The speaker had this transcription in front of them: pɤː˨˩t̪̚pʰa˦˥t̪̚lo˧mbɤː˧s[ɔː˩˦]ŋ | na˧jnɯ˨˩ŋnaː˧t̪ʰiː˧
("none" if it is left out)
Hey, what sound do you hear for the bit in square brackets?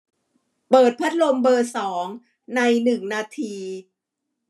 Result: ɔː˩˦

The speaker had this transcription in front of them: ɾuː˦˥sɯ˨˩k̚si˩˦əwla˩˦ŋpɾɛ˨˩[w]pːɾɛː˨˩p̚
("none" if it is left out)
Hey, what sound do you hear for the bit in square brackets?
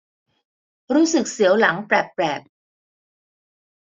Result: none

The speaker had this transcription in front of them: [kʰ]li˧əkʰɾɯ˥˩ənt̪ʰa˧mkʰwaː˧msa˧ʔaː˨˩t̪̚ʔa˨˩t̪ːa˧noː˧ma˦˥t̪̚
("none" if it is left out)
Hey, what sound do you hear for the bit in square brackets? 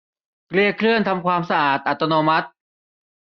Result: k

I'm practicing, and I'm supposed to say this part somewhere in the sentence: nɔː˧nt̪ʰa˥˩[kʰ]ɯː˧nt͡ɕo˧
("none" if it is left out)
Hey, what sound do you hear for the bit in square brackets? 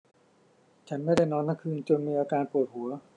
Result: kʰ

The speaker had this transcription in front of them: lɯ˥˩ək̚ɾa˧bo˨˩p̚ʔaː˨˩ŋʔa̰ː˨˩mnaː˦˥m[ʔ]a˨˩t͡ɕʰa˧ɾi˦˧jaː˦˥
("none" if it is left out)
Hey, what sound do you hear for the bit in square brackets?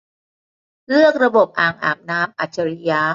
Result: ʔ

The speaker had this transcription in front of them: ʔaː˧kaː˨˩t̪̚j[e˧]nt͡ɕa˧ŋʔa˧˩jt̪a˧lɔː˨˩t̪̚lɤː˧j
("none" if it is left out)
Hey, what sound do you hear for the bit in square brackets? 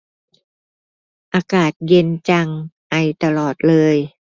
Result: e˧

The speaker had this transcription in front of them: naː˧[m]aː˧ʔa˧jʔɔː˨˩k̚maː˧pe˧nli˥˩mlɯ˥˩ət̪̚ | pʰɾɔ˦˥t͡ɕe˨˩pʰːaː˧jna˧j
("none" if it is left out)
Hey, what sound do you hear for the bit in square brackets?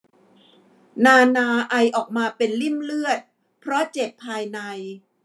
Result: n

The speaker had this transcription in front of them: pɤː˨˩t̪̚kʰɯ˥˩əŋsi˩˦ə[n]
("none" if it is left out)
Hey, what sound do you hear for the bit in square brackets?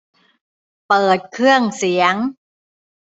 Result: ŋ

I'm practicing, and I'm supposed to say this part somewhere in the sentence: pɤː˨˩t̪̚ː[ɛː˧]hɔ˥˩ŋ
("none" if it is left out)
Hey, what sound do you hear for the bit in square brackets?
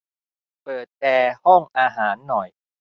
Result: ɛː˧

